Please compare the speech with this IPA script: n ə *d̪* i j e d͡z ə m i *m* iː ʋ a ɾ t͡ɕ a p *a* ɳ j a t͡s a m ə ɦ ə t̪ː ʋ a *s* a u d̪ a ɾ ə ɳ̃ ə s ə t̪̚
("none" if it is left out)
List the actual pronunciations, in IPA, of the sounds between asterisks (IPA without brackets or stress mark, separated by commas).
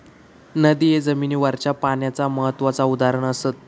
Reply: d̪, n, a, t͡s